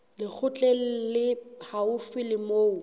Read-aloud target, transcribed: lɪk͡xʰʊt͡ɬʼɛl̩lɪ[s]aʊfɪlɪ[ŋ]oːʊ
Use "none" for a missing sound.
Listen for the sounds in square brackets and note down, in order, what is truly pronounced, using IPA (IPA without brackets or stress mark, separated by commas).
h, m